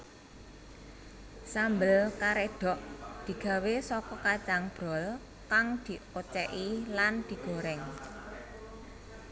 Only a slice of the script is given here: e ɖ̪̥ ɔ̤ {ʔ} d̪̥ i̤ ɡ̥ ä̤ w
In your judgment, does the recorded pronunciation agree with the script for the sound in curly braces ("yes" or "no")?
yes